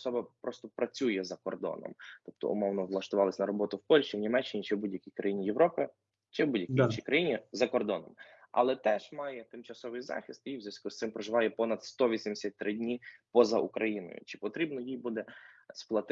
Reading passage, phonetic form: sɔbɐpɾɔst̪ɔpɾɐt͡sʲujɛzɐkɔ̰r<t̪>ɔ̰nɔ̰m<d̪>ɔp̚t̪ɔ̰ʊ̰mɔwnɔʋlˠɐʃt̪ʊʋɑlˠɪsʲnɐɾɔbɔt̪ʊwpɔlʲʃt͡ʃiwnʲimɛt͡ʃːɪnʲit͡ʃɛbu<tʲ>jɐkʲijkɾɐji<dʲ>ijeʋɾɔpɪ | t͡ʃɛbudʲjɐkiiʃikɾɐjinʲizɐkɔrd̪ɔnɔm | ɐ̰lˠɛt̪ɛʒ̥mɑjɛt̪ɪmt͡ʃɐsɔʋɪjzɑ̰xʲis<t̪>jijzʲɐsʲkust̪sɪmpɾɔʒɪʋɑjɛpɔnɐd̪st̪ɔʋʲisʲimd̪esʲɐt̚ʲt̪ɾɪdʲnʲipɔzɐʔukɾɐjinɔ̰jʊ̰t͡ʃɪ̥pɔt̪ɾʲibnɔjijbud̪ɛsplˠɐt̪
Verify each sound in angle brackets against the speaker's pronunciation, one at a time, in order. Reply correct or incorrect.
incorrect, incorrect, incorrect, incorrect, correct

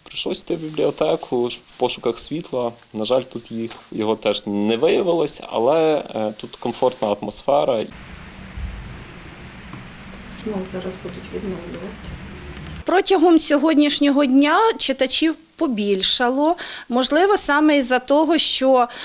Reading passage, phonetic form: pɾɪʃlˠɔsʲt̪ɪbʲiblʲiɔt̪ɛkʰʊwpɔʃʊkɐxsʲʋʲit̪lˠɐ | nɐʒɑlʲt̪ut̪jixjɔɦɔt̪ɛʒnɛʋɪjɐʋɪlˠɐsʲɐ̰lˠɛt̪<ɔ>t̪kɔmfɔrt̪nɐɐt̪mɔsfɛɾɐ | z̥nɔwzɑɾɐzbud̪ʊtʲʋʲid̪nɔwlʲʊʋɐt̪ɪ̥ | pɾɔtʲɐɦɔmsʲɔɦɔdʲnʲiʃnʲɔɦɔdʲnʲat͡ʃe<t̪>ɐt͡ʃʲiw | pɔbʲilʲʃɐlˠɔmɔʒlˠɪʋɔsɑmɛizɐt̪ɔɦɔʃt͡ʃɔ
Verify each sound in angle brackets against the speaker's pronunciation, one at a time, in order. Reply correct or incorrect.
incorrect, correct

